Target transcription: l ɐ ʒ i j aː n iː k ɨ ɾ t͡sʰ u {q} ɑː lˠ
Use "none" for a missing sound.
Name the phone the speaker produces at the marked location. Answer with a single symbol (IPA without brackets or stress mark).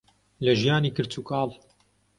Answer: k